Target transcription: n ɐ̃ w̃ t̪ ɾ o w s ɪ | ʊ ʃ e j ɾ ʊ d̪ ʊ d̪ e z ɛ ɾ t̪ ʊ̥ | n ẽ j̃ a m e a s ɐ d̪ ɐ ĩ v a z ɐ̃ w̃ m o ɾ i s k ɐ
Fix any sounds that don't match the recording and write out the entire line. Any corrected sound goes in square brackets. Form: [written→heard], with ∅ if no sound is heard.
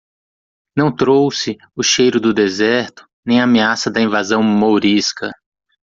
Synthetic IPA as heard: n ɐ̃ w̃ t̪ ɾ o w s ɪ | ʊ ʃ e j ɾ ʊ d̪ ʊ d̪ e z ɛ ɾ t̪ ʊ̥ | n ẽ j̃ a m e a s ɐ d̪ ɐ ĩ v a z ɐ̃ w̃ m o ɾ i s k ɐ